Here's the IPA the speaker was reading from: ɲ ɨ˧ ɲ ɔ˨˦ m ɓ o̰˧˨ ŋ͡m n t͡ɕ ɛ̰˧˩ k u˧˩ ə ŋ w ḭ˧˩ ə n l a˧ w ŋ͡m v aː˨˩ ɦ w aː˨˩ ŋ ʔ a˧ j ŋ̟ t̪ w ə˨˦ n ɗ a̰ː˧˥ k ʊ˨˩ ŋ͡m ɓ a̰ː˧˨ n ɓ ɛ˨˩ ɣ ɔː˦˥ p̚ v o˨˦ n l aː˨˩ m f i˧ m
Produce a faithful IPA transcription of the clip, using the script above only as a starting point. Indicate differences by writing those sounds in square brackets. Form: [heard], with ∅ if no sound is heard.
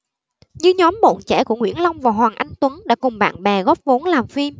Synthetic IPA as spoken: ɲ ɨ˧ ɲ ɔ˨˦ m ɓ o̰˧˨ [∅] n t͡ɕ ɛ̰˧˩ k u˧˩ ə ŋ w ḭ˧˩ ə n l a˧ w ŋ͡m v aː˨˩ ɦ w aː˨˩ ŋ ʔ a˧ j ŋ̟ t̪ w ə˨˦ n ɗ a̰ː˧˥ k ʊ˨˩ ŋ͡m ɓ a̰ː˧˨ n ɓ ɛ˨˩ ɣ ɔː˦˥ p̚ v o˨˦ n l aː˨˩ m f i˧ m